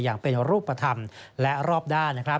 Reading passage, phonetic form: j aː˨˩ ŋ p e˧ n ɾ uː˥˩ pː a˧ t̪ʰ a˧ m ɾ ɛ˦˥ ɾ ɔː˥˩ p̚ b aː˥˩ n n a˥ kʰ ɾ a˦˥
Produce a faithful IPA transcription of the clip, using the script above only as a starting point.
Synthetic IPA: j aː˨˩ ŋ p e˧ n ɾ uː˥˩ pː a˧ t̪ʰ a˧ m l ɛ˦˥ ɾ ɔː˥˩ p̚ d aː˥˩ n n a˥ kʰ ɾ a˦˥

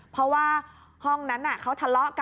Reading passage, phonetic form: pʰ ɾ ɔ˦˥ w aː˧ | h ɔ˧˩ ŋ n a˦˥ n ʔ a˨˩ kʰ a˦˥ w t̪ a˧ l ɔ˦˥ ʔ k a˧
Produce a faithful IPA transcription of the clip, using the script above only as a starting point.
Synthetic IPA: pʰ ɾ ɔ˦˥ w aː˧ | h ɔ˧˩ ŋ n a˦˥ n ʔ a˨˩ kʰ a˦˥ w t̪ʰ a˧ l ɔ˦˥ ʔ k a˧

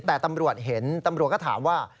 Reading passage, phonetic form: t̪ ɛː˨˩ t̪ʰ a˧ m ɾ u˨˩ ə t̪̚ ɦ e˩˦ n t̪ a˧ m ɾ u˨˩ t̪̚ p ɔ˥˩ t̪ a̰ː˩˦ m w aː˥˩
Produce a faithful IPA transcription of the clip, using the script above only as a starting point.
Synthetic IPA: t̪ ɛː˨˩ t̪ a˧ m ɾ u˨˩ ə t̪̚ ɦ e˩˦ n t̪ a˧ m ɾ u˨˩ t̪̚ k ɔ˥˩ t̪ʰ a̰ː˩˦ m w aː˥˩

